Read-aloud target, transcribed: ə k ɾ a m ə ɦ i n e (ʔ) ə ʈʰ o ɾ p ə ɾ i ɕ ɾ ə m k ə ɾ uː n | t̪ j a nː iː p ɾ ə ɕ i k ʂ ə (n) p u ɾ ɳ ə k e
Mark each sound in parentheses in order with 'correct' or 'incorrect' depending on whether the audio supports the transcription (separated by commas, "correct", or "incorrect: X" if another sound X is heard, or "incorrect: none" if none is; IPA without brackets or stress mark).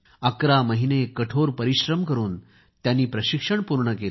incorrect: k, incorrect: ɳ